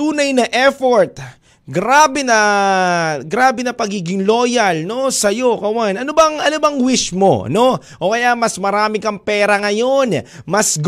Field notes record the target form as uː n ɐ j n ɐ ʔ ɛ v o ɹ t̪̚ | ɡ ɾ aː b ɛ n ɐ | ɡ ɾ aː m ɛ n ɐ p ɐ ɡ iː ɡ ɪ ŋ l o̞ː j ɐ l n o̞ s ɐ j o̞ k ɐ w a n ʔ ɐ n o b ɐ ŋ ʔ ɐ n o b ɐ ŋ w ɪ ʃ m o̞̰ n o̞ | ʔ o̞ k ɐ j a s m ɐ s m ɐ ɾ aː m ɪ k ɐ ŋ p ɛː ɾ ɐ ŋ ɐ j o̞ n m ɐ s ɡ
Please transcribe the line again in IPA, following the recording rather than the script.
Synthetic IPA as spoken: uː n ɐ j n ɐ ʔ ɛ f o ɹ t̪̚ | ɡ ɾ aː b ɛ n ɐ | ɡ ɾ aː b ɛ n ɐ p ɐ ɡ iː ɡ ɪ ŋ l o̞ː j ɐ l n o̞ s ɐ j o̞ k ɐ w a n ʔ ɐ n o b ɐ ŋ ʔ ɐ n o b ɐ ŋ w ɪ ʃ m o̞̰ n o̞ | ʔ o̞ k ɐ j a m ɐ s m ɐ ɾ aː m ɪ k ɐ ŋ p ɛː ɾ ɐ ŋ ɐ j o̞ n m ɐ s ɡ